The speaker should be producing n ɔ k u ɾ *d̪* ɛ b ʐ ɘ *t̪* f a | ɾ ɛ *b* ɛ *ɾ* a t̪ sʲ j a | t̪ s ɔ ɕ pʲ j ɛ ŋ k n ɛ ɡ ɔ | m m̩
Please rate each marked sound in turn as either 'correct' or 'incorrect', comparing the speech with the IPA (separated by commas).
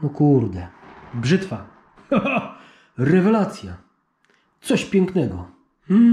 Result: correct, correct, incorrect, incorrect